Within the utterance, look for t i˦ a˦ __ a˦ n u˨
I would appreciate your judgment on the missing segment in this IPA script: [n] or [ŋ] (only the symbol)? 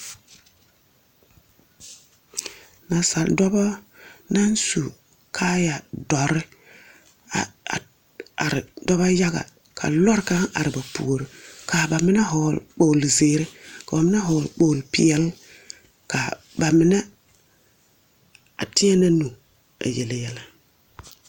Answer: n